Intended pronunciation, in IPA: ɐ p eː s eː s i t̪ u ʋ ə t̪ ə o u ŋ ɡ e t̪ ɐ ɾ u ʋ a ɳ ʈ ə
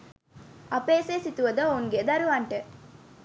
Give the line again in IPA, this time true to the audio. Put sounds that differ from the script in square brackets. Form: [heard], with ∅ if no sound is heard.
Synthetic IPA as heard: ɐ p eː s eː s i t̪ u ʋ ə [d̪] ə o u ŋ ɡ e [d̪] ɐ ɾ u ʋ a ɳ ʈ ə